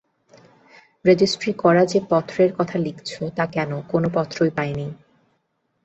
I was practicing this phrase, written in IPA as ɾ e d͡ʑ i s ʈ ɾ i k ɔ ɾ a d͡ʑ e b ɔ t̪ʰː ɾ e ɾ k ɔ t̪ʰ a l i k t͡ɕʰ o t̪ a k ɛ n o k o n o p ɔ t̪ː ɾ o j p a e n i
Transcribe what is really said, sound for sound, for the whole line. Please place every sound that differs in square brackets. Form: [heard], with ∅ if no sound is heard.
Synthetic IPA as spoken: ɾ e d͡ʑ i s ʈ ɾ i k ɔ ɾ a d͡ʑ e [p] ɔ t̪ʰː ɾ e ɾ k ɔ t̪ʰ a l i k t͡ɕʰ o t̪ a k ɛ n o k o n o p ɔ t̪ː ɾ o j p a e n i